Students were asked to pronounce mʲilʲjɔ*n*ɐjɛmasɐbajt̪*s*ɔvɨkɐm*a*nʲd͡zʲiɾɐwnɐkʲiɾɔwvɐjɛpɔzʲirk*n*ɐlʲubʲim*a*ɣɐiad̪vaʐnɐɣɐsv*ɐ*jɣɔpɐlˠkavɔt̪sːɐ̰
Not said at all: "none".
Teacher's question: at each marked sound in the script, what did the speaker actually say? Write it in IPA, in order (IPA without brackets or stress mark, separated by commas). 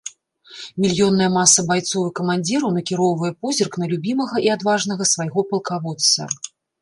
nː, s, a, n, ɐ, a